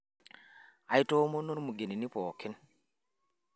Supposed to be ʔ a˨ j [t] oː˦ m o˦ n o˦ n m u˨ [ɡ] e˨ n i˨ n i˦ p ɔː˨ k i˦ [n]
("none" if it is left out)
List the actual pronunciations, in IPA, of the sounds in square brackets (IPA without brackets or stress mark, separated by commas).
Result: t, ɡ, n